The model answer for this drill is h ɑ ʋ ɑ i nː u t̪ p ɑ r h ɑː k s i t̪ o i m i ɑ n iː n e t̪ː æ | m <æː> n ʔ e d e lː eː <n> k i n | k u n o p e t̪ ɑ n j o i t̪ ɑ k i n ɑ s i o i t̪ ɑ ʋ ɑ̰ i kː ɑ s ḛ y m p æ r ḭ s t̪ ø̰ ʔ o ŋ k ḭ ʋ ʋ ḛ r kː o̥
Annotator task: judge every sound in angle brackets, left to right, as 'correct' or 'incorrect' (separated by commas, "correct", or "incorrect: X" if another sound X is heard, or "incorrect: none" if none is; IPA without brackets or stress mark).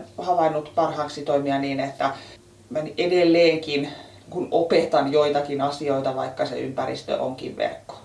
incorrect: æ, incorrect: ŋ